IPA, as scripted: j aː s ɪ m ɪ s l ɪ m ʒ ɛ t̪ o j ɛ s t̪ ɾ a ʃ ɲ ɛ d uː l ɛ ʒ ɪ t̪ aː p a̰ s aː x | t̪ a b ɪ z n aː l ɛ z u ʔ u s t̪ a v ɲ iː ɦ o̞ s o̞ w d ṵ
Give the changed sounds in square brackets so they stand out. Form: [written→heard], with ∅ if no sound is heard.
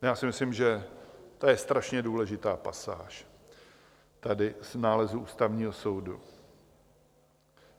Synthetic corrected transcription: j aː s ɪ m ɪ s l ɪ m ʒ ɛ t̪ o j ɛ s t̪ ɾ a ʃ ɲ ɛ d uː l ɛ ʒ ɪ t̪ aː p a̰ s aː [x→ʃ] | t̪ a [b→d] ɪ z n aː l ɛ z u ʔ [u→uː] s t̪ a v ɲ iː ɦ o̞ s o̞ w d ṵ